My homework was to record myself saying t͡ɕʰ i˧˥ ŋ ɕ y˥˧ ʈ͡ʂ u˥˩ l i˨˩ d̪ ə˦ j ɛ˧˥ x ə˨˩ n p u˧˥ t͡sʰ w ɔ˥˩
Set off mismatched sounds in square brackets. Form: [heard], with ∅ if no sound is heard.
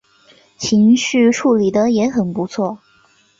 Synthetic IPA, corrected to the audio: t͡ɕʰ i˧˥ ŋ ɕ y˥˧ [ʈ͡ʂʰ] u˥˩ l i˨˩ d̪ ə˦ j ɛ˧˥ x ə˨˩ n p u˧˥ t͡sʰ w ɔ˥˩